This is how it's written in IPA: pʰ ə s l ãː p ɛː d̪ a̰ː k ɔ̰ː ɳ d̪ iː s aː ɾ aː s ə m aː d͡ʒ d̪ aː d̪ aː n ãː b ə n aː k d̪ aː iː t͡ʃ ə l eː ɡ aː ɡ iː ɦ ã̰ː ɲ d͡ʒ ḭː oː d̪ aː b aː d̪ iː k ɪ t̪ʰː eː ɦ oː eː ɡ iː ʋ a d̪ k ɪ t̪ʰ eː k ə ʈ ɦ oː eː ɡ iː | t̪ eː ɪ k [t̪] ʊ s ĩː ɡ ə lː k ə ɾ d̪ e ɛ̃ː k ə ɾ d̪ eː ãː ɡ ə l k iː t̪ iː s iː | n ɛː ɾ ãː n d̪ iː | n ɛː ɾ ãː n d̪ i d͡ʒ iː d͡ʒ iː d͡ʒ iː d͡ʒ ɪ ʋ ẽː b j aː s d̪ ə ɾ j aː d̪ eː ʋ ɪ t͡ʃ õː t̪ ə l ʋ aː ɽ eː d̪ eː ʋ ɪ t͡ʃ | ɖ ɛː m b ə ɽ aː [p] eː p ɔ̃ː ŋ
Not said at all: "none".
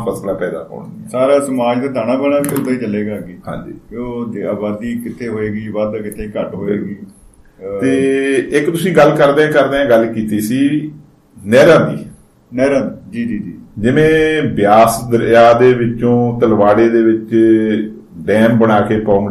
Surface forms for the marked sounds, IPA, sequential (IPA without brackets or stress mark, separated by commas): t̪, k